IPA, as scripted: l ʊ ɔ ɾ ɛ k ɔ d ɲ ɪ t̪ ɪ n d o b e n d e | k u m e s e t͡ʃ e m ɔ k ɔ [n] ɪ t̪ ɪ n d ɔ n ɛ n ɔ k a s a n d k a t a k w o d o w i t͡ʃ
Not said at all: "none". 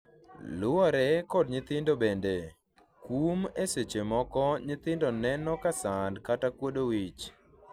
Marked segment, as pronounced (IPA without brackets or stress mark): ɲ